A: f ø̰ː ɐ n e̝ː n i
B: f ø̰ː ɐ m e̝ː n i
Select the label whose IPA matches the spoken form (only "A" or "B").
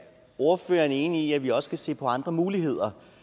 A